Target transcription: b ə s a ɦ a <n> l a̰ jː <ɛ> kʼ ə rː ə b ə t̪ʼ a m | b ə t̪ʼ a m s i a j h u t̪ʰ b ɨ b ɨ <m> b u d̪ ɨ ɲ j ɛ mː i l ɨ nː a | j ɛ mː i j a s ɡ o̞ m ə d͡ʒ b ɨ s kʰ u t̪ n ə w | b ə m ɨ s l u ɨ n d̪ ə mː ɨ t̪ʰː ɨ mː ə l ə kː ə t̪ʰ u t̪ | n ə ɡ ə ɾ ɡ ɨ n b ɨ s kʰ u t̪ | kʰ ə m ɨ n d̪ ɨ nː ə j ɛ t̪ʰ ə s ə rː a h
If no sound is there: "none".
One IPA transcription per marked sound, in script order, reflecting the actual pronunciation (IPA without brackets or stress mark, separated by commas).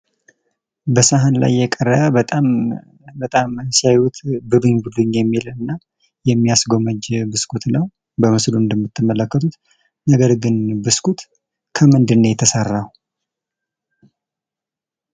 n, ɛ, ɲ